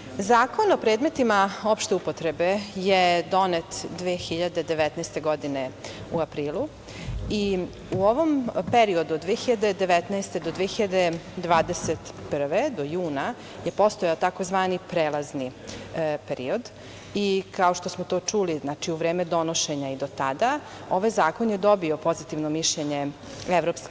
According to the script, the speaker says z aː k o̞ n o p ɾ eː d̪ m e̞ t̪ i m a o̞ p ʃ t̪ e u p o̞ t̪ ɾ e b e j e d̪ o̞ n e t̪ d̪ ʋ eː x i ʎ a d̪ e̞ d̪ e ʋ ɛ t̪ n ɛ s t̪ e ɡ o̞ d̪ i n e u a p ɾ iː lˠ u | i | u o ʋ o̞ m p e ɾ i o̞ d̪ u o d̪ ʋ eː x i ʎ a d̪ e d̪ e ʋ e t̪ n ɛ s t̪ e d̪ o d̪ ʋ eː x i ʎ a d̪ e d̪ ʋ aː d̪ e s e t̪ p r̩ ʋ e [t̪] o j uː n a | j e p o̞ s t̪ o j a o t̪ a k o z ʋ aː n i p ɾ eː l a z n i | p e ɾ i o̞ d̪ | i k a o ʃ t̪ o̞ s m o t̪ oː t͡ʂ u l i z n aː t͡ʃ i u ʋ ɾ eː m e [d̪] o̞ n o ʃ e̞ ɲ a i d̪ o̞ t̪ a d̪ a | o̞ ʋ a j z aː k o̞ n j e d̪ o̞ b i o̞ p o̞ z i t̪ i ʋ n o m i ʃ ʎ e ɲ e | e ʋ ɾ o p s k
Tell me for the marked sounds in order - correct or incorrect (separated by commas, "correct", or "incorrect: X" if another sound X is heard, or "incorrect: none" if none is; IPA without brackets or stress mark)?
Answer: incorrect: d̪, correct